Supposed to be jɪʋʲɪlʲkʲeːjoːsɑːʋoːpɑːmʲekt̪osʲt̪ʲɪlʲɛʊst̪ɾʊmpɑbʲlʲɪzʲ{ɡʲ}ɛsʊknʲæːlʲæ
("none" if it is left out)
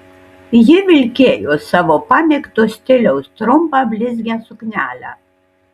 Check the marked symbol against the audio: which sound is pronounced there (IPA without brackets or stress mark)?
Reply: ɡʲ